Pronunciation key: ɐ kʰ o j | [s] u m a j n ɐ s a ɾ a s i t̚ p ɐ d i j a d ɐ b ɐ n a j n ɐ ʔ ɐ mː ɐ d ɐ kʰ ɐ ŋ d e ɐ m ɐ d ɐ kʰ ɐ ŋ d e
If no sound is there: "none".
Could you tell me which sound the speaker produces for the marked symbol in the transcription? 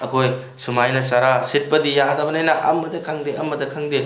s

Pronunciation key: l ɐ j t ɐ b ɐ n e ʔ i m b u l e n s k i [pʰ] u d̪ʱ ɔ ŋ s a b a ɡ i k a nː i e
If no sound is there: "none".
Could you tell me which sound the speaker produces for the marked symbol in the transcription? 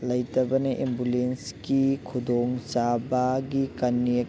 kʰ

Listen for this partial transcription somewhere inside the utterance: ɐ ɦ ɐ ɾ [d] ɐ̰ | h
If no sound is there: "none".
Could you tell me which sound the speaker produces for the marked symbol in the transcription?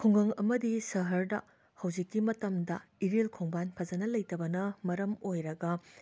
d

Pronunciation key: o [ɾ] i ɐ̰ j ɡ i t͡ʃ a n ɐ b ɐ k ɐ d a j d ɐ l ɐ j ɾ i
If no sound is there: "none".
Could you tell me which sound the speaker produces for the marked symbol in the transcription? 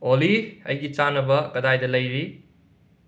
l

